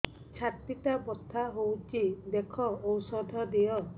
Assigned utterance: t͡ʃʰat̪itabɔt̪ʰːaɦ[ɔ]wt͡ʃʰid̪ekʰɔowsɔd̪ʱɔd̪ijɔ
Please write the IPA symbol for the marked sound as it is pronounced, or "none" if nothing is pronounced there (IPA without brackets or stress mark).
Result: o